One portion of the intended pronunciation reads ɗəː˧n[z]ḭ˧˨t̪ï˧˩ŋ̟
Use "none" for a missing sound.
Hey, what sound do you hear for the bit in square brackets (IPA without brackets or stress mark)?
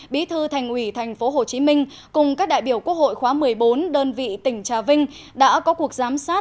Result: v